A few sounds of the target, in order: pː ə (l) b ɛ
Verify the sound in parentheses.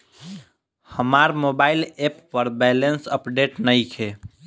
incorrect: ɾ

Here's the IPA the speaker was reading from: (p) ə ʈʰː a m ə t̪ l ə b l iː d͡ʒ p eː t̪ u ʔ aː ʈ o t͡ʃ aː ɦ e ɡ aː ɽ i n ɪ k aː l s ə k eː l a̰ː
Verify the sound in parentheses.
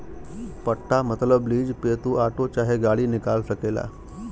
correct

